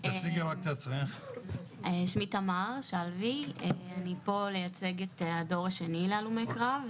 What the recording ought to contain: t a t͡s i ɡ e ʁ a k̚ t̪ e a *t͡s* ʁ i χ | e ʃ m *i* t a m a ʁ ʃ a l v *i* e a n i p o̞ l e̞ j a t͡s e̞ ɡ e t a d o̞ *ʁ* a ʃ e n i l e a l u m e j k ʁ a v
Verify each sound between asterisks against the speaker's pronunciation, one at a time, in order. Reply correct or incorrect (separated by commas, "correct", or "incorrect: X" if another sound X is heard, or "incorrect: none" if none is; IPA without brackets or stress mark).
correct, correct, correct, correct